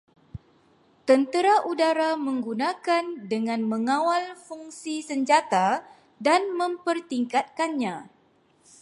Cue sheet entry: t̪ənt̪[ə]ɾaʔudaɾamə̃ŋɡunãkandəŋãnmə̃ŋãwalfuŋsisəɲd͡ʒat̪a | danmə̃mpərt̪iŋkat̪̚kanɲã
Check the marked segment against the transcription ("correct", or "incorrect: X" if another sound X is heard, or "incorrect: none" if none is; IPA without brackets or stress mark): correct